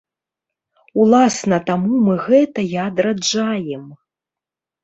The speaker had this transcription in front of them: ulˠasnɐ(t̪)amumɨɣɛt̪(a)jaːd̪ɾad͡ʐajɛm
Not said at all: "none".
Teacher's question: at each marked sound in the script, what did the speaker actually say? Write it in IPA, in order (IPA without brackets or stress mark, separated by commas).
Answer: t̪, ɐ